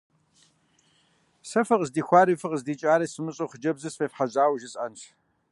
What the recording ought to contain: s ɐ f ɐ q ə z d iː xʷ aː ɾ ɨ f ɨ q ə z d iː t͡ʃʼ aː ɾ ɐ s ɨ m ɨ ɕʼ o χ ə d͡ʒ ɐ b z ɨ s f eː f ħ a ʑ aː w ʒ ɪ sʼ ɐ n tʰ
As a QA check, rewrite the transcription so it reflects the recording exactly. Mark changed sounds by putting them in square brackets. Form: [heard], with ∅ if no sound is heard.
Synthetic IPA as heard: s ɐ f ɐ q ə z d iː xʷ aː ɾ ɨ f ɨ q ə z d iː t͡ʃʼ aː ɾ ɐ s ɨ m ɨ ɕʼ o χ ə d͡ʒ ɐ b z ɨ s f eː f ħ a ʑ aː w ʒ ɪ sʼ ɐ n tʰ